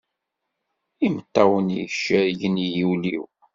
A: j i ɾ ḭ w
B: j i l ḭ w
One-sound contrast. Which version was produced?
B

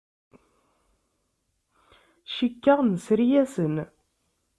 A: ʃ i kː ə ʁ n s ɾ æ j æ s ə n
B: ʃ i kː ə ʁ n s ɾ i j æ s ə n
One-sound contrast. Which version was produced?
B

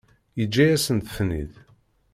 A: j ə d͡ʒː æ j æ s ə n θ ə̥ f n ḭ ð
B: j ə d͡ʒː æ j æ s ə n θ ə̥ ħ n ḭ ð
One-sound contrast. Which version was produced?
A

